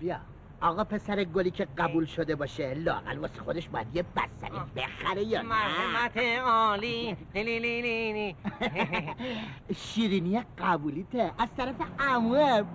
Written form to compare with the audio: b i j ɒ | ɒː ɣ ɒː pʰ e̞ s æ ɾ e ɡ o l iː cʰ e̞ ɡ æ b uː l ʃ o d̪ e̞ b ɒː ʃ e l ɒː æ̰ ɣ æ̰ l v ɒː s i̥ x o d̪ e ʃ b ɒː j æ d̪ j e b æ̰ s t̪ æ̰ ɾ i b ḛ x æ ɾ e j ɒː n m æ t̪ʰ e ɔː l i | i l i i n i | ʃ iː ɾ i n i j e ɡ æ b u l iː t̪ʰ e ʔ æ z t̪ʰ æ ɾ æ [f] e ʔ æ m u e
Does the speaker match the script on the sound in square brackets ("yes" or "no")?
yes